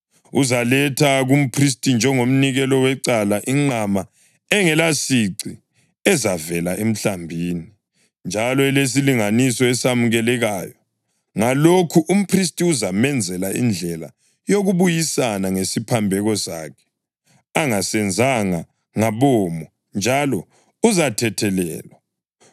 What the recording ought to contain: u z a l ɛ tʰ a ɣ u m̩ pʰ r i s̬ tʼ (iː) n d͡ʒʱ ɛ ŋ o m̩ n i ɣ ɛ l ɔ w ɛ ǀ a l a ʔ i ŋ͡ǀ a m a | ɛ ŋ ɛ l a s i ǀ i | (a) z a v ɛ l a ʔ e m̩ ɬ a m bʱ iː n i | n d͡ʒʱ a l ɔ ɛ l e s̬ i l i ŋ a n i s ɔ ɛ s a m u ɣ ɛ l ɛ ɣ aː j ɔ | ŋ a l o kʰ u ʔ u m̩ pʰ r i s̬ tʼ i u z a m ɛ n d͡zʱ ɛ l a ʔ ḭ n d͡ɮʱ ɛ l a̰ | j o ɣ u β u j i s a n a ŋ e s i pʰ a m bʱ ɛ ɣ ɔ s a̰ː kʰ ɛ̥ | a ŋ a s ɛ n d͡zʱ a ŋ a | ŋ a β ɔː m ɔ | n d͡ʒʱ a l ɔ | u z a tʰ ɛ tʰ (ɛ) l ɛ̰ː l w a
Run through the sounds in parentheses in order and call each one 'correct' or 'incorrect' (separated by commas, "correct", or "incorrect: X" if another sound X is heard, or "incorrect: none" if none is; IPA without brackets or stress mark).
incorrect: i, incorrect: ɛ, correct